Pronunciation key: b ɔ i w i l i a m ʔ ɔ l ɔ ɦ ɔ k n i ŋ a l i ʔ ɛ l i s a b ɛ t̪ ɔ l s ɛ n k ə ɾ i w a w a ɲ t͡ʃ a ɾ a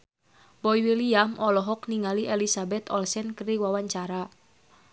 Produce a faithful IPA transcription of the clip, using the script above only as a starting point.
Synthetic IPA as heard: b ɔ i w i l i a m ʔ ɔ l ɔ ɦ ɔ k n i ŋ a l i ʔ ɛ l i s a b ɛ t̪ ɔ l s ɛ n k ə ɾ i w a w a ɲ t͡ʃ a ɾ a